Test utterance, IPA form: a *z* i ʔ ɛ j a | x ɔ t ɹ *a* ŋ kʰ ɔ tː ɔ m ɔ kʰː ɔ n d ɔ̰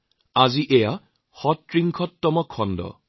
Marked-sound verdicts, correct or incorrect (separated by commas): correct, incorrect